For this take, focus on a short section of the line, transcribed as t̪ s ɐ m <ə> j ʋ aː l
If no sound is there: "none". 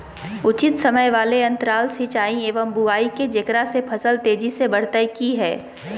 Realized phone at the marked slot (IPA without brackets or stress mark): ə